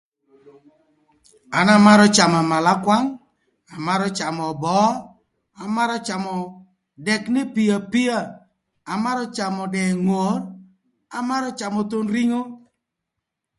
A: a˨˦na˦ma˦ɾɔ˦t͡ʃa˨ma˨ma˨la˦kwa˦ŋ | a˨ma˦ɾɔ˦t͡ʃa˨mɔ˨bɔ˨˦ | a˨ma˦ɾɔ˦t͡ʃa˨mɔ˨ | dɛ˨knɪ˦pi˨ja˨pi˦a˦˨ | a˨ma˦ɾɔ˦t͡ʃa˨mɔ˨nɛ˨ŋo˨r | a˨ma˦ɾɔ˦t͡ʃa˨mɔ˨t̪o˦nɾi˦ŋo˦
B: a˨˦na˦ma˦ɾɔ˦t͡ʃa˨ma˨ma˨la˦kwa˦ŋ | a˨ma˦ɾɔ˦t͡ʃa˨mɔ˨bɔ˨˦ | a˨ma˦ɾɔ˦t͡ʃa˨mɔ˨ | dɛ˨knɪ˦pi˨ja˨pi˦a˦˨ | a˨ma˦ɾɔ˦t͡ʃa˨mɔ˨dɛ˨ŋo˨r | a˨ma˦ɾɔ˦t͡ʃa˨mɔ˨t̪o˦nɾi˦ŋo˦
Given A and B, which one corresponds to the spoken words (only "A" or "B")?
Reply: B